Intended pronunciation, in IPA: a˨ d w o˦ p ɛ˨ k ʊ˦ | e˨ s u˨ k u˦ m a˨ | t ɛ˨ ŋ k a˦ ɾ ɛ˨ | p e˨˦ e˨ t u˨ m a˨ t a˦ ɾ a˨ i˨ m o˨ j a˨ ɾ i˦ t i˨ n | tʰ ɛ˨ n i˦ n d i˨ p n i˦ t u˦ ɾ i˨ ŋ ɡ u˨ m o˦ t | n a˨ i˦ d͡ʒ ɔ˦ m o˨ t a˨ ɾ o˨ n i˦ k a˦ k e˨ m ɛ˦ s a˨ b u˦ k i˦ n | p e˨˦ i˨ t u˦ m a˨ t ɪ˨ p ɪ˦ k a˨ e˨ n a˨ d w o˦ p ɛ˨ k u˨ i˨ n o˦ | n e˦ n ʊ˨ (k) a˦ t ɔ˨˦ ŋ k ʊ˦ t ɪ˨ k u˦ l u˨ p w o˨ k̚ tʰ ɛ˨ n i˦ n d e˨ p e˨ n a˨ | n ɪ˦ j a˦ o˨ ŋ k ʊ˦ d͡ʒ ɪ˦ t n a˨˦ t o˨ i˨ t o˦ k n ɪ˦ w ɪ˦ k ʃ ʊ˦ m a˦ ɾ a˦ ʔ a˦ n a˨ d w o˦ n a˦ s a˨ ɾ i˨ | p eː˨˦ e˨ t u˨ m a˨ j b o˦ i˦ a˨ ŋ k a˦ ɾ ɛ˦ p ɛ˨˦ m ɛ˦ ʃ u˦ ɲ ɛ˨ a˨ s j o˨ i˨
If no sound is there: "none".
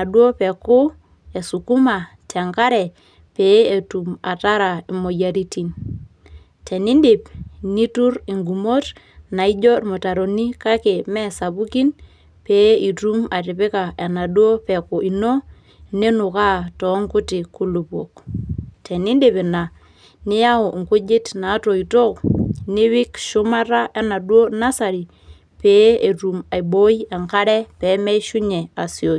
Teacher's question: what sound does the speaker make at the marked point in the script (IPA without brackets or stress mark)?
k